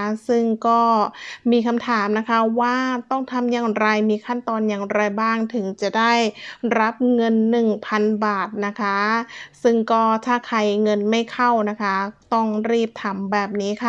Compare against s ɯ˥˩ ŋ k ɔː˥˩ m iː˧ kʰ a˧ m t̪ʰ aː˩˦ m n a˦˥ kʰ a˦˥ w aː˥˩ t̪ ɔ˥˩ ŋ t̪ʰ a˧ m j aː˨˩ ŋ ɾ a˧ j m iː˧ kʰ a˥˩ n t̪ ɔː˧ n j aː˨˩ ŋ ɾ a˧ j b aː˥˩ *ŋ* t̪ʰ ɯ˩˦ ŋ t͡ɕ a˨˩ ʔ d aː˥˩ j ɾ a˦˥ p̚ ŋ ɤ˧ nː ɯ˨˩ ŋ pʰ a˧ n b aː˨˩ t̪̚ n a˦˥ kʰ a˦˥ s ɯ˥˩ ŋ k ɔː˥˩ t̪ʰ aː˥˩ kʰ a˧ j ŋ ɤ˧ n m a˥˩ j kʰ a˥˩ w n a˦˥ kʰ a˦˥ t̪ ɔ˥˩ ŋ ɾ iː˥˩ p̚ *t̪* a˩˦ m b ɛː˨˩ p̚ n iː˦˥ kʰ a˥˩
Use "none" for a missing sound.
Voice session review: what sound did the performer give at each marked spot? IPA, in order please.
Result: ŋ, t̪ʰ

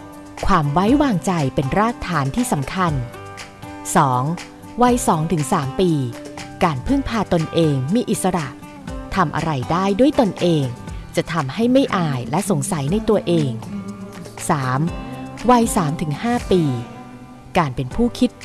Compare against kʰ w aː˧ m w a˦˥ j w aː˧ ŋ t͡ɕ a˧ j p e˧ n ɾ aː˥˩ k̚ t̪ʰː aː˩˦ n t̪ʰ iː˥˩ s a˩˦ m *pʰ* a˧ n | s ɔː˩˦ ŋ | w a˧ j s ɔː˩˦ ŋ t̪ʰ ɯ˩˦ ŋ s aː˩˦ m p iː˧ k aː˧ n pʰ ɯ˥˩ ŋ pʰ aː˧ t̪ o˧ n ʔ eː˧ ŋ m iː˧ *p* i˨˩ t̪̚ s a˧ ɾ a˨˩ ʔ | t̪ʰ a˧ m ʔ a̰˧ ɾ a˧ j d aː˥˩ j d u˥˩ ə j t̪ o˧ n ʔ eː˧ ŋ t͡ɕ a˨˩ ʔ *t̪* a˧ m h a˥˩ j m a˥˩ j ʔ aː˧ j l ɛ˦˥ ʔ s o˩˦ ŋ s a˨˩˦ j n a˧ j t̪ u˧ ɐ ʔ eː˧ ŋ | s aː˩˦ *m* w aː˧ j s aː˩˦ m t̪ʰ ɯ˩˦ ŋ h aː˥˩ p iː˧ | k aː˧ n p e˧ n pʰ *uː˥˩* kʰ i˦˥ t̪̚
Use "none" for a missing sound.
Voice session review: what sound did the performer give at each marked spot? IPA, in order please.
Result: kʰ, ʔ, t̪ʰ, m, uː˥˩

